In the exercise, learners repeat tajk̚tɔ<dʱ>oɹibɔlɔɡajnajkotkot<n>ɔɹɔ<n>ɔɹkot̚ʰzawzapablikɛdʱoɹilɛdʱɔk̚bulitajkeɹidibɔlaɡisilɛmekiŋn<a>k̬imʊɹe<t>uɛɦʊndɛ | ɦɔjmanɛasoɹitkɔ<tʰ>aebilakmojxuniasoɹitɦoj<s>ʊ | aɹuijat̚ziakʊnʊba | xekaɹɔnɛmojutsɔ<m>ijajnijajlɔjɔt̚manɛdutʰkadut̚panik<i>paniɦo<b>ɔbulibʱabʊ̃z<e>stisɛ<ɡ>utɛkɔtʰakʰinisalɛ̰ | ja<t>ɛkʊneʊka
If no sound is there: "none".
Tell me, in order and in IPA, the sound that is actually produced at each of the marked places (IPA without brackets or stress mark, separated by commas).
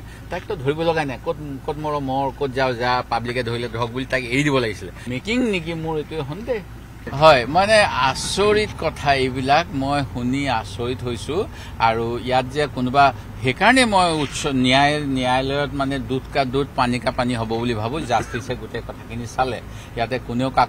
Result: dʱ, m, m, i, t, tʰ, s, n, a, b, a, ɡ, t